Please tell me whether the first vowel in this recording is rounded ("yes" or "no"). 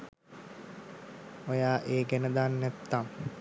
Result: yes